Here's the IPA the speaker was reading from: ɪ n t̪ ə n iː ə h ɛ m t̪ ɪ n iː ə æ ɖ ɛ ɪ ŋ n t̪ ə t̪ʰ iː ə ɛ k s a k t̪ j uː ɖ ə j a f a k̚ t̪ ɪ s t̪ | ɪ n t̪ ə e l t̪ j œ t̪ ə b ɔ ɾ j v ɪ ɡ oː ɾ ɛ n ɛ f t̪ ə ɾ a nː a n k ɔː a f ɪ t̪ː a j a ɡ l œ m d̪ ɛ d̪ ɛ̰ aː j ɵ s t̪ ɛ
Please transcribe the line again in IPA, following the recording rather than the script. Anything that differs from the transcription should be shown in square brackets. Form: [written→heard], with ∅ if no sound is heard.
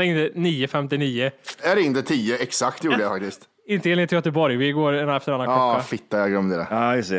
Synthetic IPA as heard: ɪ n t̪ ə n iː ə [h→f] ɛ m t̪ ɪ n iː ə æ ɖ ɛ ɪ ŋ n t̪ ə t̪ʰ iː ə ɛ k s a k t̪ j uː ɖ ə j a f a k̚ t̪ ɪ s t̪ | ɪ n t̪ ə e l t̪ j œ t̪ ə b ɔ ɾ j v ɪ ɡ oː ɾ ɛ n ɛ f t̪ ə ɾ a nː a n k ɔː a f ɪ t̪ː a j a ɡ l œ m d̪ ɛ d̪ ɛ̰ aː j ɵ s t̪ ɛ